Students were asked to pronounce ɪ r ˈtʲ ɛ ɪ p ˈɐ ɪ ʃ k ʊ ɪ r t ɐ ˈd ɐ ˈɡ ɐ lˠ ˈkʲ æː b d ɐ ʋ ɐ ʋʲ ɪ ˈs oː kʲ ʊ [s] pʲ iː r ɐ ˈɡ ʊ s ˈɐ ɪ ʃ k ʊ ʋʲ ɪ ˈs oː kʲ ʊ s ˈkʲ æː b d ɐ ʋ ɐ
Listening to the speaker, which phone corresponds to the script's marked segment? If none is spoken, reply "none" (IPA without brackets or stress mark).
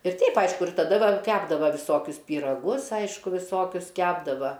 s